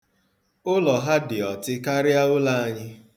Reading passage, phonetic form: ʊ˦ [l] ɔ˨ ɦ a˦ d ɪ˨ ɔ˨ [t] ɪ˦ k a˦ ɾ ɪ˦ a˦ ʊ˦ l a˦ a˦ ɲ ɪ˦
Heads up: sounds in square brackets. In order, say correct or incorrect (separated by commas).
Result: correct, correct